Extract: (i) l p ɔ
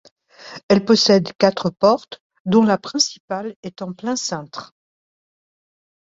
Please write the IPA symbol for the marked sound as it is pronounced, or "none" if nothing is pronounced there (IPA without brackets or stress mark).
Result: ɛ